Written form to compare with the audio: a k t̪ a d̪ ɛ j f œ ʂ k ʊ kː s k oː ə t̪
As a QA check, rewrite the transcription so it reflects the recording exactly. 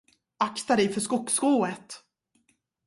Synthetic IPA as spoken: a k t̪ a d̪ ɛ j f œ ʂ k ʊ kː s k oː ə t̪

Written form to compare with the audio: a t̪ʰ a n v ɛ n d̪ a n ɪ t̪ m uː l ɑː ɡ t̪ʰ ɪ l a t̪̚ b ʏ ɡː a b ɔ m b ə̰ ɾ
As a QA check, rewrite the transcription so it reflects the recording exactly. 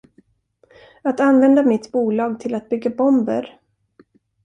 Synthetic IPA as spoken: a t̪ a n v ɛ n d̪ a m ɪ t̪ b uː l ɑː ɡ t̪ʰ ɪ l a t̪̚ b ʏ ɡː a b ɔ m b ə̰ ɾ

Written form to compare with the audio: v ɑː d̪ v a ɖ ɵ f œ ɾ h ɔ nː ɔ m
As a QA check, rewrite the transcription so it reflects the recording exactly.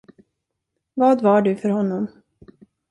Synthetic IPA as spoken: v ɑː d̪ v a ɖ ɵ f œ ɾ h ɔ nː ɔ m

